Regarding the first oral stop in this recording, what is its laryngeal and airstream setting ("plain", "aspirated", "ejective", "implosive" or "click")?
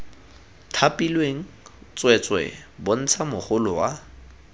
aspirated